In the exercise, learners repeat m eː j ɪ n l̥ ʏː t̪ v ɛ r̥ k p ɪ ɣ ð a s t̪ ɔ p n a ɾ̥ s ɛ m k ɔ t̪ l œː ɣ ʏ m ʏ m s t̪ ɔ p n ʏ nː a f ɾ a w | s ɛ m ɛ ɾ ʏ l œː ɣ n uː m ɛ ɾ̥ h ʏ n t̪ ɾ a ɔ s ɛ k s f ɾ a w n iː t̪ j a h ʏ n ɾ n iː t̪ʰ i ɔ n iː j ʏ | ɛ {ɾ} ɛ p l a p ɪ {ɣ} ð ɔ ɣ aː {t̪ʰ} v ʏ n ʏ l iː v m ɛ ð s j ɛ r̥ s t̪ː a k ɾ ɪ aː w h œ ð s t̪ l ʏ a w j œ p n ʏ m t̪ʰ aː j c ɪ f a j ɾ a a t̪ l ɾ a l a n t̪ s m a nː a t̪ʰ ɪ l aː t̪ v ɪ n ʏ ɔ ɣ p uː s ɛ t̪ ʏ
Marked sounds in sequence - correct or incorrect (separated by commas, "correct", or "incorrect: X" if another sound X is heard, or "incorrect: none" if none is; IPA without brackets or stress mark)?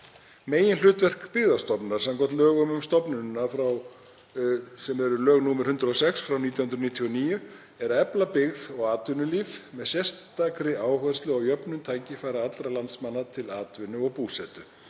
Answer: correct, correct, incorrect: t̪